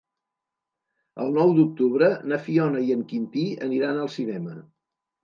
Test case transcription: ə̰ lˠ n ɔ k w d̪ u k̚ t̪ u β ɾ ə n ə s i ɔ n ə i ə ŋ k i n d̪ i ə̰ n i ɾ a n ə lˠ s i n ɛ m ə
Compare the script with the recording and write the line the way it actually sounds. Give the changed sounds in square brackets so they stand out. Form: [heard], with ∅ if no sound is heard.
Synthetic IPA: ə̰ lˠ n ɔ [∅] w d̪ u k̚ t̪ u β ɾ ə n ə [f] i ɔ n ə i ə ŋ k i n [t̪] i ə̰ n i ɾ a n ə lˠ s i n ɛ m ə